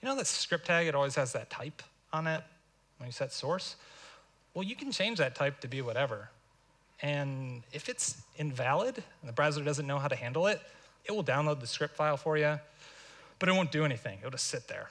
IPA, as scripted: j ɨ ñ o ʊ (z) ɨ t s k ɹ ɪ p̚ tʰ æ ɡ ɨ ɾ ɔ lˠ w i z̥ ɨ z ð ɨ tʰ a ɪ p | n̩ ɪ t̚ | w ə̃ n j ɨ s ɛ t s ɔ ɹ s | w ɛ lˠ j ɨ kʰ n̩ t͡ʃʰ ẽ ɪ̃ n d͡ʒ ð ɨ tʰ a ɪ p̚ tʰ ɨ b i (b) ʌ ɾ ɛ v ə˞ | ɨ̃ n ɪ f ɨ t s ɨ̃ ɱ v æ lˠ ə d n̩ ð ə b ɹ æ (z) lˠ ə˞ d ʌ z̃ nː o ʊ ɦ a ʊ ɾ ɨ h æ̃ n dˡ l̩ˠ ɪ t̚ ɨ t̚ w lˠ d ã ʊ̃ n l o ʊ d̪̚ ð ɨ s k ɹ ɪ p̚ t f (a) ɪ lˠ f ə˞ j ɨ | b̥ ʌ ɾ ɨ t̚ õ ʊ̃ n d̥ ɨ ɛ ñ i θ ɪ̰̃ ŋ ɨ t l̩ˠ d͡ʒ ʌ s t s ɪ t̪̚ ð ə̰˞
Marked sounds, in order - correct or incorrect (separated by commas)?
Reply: incorrect, incorrect, correct, correct